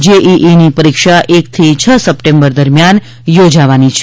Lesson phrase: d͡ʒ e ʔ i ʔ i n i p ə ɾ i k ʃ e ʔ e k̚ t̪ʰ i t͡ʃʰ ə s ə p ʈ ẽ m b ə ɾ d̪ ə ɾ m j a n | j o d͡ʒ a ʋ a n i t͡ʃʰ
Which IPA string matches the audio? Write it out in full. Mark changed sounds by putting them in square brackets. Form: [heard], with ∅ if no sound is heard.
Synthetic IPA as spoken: d͡ʒ e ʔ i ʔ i n i p ə ɾ i k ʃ [a] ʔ e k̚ t̪ʰ i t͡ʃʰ ə s ə p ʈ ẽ m b ə ɾ d̪ ə ɾ m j a n | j o d͡ʒ a ʋ a n i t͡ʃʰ